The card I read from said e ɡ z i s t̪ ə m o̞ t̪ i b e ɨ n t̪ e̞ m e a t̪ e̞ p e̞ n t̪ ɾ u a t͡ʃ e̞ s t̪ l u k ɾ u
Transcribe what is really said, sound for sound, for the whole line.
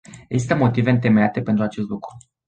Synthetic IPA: e ɡ z i s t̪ ə m o̞ t̪ i v e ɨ n t̪ e̞ m e a t̪ e̞ p e̞ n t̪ ɾ u a t͡ʃ e̞ s t̪ l u k ɾ u